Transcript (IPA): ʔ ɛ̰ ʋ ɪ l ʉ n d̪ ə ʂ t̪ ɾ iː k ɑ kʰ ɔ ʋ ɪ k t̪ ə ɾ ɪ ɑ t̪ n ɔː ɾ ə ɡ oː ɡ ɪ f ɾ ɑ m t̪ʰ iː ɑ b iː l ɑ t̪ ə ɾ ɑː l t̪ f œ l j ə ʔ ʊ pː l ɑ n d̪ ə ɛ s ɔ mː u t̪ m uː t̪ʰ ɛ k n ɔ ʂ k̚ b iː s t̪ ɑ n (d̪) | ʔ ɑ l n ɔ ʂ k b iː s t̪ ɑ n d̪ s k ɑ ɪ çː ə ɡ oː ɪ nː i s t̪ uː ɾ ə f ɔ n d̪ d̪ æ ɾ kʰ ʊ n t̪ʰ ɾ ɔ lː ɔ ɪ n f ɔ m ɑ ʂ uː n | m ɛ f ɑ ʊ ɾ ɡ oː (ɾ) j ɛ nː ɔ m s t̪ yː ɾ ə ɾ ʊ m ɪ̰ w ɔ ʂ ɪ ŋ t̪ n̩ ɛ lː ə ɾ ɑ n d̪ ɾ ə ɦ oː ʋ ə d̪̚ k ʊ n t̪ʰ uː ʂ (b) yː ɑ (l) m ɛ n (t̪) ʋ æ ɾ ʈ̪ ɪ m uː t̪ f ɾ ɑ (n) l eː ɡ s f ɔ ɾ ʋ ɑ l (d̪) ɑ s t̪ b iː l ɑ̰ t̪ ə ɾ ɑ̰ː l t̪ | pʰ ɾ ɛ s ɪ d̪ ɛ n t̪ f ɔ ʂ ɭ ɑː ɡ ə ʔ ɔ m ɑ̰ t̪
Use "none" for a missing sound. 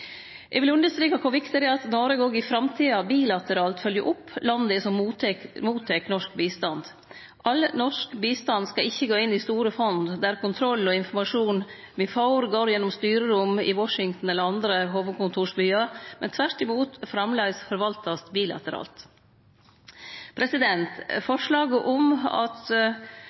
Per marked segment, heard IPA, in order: d̪, ɾ, b, ɾ, t̪ʰ, m, t̪

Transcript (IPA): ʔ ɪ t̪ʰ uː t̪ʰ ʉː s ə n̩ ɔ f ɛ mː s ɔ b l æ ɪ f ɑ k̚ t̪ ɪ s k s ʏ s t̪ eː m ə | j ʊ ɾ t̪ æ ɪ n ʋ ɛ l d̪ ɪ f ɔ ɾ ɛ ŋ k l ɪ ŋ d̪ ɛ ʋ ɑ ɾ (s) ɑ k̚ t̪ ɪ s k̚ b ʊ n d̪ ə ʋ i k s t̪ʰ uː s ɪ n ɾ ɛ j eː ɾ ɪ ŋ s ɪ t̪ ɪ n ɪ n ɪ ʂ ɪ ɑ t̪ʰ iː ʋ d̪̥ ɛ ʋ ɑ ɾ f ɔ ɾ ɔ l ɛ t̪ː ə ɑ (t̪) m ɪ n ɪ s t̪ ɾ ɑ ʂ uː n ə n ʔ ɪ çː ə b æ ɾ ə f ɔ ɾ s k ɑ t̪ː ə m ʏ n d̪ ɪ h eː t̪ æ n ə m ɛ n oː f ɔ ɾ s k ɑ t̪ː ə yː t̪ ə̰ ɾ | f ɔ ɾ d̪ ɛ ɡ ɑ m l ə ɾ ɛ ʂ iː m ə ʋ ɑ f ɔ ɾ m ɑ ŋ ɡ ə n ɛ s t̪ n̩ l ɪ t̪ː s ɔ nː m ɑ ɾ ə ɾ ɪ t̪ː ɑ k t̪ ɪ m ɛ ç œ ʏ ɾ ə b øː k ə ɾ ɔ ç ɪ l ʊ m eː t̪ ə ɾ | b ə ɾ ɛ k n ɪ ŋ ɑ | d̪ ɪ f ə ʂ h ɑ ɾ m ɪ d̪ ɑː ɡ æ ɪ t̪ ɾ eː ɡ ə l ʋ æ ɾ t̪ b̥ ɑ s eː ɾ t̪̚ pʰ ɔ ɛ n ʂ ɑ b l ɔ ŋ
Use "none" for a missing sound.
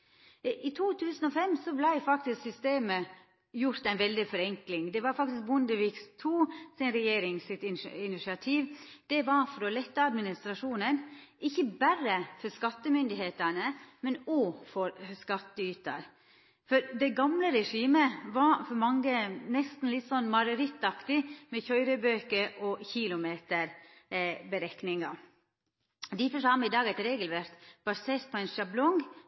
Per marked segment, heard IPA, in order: f, d̪

